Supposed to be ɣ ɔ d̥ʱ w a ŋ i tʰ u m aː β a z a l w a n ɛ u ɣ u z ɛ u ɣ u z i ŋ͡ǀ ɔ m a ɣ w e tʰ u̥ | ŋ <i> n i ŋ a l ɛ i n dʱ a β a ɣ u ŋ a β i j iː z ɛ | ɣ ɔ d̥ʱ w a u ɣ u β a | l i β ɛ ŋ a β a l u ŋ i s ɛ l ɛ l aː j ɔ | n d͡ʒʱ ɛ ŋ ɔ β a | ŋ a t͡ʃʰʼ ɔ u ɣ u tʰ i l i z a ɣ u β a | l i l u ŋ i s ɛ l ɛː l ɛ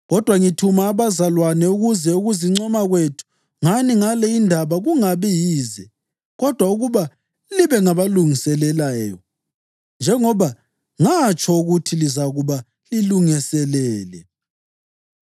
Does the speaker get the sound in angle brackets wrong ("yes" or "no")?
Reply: yes